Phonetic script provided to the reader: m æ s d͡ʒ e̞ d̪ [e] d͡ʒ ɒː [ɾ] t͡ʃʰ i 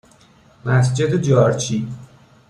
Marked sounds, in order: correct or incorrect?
correct, correct

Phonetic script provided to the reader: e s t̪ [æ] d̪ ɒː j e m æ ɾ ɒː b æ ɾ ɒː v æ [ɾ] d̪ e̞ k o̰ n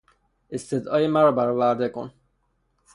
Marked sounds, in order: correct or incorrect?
incorrect, correct

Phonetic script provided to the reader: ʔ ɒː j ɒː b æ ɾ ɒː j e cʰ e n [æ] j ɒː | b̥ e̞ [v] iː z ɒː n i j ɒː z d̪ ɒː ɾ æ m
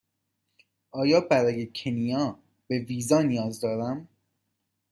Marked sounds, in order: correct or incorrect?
incorrect, correct

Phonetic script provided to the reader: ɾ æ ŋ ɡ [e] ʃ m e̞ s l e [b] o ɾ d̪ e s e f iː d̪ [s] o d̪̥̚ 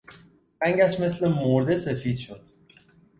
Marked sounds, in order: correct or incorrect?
incorrect, incorrect, incorrect

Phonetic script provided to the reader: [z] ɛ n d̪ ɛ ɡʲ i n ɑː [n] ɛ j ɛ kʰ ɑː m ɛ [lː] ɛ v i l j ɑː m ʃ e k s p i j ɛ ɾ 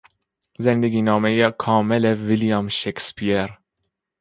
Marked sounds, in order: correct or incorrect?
correct, incorrect, incorrect

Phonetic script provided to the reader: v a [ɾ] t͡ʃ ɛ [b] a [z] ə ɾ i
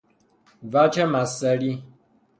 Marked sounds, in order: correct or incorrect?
incorrect, incorrect, incorrect

